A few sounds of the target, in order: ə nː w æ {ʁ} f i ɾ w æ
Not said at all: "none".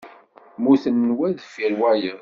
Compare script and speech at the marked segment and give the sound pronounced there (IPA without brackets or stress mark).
ð